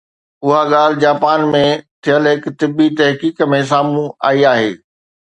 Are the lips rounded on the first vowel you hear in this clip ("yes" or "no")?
yes